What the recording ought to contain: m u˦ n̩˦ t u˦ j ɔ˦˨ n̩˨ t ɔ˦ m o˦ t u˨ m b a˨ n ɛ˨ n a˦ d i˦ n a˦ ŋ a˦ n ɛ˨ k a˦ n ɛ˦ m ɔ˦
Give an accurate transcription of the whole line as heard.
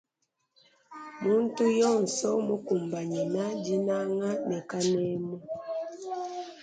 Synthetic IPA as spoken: m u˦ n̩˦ t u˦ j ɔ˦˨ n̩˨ s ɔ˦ m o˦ k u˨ m b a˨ ɲ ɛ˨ n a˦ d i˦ n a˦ ŋ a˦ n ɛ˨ k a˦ n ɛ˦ m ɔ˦